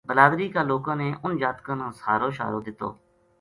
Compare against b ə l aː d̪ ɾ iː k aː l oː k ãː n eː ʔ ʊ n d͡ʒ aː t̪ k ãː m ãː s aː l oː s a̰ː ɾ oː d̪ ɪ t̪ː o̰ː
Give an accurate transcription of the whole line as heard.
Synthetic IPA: b ə l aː d̪ ɾ iː k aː l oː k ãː n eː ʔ ʊ n d͡ʒ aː t̪ k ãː n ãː s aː ɾ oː ʃ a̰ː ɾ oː d̪ ɪ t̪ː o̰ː